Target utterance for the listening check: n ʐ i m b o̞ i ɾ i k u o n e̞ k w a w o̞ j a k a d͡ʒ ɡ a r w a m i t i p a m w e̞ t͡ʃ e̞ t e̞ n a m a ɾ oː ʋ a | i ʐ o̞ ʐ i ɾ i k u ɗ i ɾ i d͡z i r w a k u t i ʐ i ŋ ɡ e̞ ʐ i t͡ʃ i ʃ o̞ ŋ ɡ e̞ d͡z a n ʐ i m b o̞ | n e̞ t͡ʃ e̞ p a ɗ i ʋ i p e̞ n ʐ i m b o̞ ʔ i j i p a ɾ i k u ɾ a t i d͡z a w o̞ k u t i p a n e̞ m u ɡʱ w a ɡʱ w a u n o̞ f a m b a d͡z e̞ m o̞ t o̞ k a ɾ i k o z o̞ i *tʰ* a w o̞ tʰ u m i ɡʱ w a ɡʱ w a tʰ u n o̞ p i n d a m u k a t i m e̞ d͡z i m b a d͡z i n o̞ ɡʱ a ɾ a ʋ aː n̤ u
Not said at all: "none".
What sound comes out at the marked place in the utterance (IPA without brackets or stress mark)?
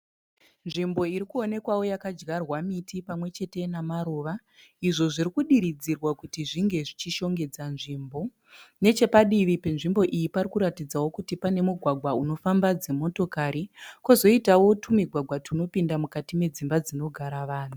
t